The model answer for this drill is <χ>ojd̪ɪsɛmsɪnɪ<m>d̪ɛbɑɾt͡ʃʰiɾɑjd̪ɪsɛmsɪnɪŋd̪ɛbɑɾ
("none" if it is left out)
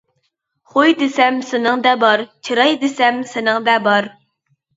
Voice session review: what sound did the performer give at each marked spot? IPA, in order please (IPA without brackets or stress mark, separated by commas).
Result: χ, ŋ